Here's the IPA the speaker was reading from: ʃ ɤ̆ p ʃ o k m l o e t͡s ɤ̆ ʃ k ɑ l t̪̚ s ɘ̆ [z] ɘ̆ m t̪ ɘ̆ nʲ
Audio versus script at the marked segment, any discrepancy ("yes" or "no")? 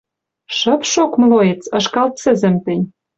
no